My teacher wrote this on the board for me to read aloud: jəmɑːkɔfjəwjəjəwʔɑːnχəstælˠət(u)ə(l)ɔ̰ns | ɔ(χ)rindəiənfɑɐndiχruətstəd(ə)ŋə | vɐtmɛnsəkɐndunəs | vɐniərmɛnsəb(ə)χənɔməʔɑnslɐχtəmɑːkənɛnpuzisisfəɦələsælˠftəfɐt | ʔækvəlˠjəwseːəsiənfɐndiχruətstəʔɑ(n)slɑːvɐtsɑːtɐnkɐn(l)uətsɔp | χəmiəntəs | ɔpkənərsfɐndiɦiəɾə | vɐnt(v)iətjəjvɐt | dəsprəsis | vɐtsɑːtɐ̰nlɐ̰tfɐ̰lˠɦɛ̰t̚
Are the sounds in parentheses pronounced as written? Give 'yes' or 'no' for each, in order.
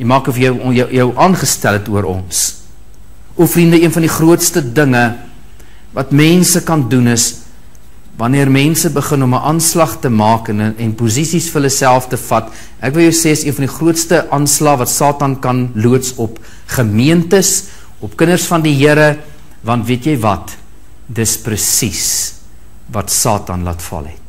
yes, no, no, yes, yes, yes, yes, yes

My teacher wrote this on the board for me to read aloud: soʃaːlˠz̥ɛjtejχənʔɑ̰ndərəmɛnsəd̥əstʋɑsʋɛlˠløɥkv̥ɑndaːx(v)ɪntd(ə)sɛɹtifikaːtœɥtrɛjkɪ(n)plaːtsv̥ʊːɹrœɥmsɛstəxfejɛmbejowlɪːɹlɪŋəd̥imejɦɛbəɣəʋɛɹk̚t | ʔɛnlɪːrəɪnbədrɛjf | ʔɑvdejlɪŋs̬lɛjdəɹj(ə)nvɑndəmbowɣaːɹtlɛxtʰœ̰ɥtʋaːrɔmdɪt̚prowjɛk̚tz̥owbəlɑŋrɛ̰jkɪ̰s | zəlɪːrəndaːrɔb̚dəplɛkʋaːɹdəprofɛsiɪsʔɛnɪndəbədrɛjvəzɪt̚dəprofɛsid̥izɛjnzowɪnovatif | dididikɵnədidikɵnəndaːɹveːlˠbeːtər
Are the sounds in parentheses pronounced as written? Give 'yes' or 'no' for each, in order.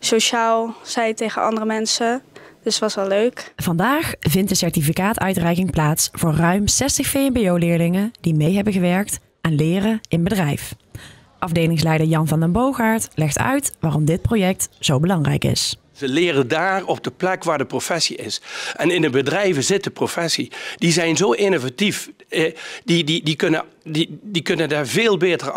yes, yes, no, no

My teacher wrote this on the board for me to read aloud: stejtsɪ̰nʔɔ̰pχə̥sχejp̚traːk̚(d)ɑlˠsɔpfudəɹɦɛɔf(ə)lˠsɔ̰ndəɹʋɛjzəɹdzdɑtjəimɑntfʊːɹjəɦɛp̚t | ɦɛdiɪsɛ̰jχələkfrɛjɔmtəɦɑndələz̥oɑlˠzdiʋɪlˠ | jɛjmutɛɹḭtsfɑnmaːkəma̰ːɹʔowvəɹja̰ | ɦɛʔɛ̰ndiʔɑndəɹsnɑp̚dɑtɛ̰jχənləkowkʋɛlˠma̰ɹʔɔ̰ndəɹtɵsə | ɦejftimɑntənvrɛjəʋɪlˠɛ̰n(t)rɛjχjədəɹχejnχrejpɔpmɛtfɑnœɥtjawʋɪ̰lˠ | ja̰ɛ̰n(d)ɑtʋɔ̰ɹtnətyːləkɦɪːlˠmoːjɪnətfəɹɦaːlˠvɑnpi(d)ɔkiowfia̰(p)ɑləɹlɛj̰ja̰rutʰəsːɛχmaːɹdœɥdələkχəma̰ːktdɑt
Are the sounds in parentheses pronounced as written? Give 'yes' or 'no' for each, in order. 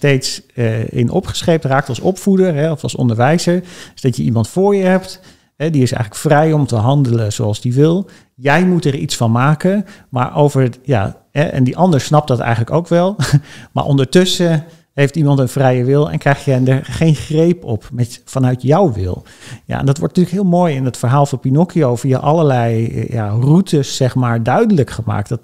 no, no, no, yes, no, no

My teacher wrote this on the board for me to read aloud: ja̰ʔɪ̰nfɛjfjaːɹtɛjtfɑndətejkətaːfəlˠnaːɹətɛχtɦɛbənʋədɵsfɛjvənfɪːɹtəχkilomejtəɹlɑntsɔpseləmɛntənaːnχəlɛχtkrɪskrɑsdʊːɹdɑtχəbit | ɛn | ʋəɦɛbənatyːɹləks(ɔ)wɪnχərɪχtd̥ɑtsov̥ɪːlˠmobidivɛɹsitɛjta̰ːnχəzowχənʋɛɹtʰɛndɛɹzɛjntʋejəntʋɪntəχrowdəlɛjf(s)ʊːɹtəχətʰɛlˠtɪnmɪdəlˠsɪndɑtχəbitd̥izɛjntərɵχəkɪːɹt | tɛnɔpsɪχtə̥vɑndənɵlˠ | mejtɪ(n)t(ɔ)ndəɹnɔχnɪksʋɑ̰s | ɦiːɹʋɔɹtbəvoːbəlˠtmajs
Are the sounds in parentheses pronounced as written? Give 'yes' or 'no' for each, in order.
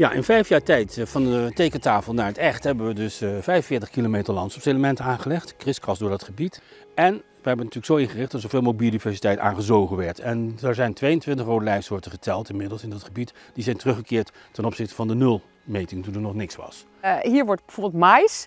no, yes, no, no

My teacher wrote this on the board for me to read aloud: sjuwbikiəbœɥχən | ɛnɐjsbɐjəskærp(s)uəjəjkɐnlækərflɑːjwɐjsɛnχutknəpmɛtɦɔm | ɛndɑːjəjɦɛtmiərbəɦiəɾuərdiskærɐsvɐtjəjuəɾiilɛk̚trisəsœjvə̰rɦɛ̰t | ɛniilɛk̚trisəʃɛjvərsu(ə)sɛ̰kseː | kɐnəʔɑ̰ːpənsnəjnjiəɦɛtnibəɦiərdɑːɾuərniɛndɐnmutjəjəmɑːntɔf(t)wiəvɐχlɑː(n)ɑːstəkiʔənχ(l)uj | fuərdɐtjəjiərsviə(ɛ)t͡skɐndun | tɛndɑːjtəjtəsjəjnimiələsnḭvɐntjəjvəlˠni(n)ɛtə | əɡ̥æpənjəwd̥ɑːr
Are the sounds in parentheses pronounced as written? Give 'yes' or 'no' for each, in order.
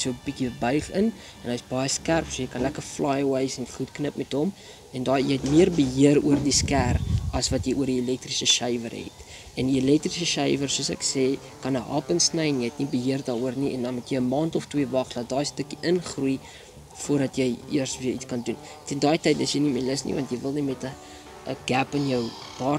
yes, yes, yes, no, no, no, no

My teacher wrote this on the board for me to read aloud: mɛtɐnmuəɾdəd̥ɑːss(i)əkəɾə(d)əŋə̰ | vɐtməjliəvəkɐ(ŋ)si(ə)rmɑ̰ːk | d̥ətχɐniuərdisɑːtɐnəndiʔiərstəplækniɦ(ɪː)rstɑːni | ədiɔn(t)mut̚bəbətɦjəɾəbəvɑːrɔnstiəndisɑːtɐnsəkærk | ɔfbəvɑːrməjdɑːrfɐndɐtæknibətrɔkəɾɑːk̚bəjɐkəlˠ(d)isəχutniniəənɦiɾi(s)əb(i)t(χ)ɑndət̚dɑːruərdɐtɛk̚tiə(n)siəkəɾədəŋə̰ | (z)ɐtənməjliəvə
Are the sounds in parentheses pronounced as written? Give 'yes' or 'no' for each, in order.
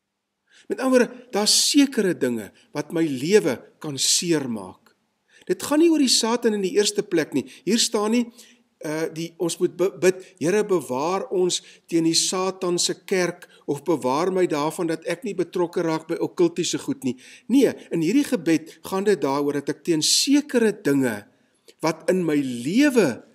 yes, yes, no, yes, no, no, no, no, no, yes, yes, no

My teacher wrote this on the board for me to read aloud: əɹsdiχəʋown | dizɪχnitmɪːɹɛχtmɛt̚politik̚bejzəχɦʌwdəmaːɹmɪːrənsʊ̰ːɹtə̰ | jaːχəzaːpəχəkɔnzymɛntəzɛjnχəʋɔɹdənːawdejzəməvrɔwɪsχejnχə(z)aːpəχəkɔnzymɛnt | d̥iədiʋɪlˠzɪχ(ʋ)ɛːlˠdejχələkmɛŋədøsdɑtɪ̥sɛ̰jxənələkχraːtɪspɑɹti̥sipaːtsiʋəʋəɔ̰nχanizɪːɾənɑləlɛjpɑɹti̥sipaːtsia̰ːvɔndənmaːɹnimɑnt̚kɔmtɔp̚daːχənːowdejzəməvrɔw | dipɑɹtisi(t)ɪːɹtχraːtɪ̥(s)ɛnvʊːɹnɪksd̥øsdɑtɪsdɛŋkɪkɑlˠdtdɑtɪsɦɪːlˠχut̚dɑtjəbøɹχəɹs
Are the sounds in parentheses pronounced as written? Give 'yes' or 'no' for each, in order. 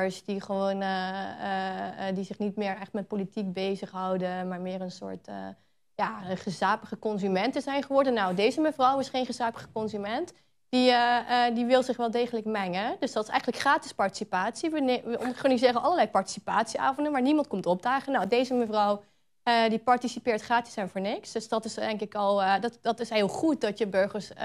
yes, yes, no, yes

